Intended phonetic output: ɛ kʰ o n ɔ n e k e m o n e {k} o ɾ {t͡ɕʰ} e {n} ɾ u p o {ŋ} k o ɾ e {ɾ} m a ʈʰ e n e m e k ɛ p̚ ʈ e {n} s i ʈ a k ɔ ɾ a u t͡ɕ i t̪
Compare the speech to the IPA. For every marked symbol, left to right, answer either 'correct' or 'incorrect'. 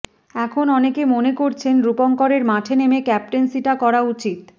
correct, correct, correct, correct, correct, correct

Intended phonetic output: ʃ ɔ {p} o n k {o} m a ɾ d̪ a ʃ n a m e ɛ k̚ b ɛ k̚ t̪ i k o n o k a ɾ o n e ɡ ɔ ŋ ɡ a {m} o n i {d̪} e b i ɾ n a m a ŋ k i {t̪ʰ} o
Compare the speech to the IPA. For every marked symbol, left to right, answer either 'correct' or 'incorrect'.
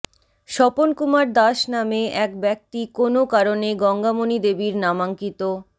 correct, incorrect: u, correct, correct, incorrect: t̪

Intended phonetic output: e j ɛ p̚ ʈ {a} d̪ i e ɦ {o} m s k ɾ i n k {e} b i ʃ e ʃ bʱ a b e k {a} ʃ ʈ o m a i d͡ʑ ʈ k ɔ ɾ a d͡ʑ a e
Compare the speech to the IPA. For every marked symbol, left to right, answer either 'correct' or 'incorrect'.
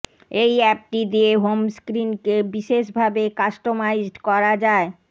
incorrect: i, correct, correct, correct

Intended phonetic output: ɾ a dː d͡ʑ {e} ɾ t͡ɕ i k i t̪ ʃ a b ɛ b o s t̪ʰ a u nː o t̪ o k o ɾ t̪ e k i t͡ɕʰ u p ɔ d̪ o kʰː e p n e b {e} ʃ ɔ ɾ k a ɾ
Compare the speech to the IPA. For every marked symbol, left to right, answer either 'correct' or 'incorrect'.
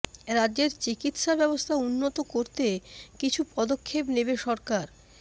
correct, correct

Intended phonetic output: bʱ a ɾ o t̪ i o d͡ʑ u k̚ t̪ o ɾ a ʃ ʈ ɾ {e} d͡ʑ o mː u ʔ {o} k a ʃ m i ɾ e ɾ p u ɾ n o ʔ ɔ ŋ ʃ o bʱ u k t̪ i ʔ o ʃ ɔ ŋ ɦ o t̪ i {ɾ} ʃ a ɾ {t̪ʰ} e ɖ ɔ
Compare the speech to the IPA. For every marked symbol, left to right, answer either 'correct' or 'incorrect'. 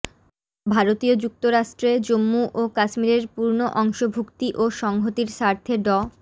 correct, correct, correct, correct

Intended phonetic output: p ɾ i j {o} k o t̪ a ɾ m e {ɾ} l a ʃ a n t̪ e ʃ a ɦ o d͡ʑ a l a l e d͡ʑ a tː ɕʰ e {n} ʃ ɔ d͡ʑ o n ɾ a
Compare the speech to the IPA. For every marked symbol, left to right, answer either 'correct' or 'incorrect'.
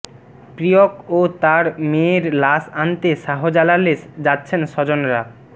correct, correct, correct

